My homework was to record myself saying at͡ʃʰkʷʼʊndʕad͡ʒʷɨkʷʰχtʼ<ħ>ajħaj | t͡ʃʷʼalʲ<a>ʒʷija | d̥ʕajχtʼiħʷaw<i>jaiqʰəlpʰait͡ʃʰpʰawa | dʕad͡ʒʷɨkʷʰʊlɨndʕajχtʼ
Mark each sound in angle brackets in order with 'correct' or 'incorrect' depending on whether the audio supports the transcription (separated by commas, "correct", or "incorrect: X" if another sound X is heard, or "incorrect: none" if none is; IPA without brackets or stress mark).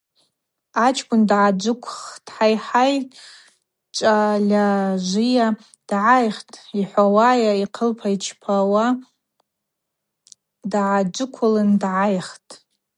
correct, correct, incorrect: a